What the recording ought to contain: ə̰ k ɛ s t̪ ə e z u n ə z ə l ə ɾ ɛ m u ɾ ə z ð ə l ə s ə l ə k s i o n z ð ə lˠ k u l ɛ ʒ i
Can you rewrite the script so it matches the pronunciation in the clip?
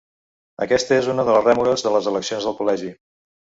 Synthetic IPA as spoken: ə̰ k ɛ s t̪ ə e z u n ə ð ə l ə r ɛ m u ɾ ə z ð ə l ə z ə l ə k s i o n z ð ə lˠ k u l ɛ ʒ i

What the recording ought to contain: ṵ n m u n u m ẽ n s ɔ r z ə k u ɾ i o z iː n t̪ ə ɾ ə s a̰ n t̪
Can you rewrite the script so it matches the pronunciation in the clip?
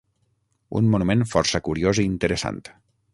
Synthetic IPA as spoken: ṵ n m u n u m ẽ n f ɔ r s ə k u ɾ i o z iː n t̪ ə ɾ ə s a̰ n t̪

